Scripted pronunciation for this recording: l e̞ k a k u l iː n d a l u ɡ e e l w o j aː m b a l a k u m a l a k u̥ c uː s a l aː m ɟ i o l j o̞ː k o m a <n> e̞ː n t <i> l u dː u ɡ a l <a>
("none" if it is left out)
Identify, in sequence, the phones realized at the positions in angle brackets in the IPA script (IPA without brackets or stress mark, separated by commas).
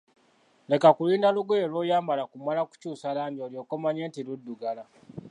ɲ, i, a